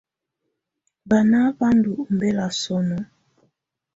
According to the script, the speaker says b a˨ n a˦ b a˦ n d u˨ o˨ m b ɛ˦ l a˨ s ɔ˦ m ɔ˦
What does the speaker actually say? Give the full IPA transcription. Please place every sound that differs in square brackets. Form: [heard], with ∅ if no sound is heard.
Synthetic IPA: b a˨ n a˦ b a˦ n d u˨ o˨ m b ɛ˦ l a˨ s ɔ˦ [n] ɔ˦